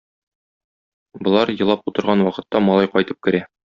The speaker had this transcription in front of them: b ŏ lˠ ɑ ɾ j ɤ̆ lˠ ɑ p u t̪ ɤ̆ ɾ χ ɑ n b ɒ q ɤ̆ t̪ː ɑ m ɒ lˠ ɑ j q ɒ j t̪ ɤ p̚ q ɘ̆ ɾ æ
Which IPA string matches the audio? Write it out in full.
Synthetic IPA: b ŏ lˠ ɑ ɾ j ɤ̆ lˠ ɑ p u t̪ ɤ̆ ɾ ʁ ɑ n w ɒ q ɤ̆ t̪ː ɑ m ɒ lˠ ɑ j q ɒ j t̪ ɤ p̚ k ɘ̆ ɾ æ